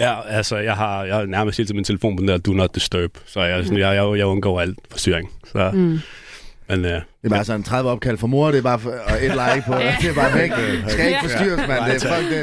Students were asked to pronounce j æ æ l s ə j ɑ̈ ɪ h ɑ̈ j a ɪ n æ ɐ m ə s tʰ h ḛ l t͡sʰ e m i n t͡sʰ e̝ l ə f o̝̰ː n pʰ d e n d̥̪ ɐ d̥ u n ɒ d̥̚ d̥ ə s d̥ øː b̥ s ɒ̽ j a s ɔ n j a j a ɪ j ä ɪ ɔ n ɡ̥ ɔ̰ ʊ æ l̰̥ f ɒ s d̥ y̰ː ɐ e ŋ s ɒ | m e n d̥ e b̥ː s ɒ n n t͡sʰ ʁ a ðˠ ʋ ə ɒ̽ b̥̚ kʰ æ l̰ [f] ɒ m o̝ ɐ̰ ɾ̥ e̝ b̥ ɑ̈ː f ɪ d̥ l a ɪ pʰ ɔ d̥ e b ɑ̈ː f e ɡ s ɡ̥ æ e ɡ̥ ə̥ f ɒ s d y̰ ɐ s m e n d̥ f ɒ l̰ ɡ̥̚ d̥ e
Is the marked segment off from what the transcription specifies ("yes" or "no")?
no